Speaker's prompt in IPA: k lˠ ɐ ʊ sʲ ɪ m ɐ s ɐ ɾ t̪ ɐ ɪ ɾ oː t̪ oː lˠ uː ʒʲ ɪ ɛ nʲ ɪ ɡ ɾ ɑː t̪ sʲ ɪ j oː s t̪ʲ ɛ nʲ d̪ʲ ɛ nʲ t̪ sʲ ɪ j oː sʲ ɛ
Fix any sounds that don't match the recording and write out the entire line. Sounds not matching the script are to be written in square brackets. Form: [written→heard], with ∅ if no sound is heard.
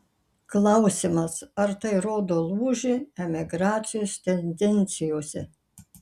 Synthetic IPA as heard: k lˠ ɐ ʊ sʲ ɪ m ɐ s ɐ ɾ t̪ ɐ ɪ ɾ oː [t̪→d̪] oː lˠ uː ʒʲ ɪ ɛ [nʲ→mʲ] ɪ ɡ ɾ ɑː t̪ sʲ ɪ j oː s t̪ʲ ɛ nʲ d̪ʲ ɛ nʲ t̪ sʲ ɪ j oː sʲ ɛ